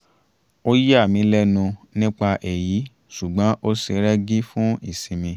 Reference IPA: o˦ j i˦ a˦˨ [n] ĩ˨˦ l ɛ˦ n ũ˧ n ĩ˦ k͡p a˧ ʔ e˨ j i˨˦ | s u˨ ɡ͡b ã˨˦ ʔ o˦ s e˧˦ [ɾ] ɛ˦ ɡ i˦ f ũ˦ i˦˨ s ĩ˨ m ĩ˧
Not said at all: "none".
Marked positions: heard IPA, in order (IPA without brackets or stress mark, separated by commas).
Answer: m, ɾ